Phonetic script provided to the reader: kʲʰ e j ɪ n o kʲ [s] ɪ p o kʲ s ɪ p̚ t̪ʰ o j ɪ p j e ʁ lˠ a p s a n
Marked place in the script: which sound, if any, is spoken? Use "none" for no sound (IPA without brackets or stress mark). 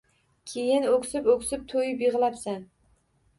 s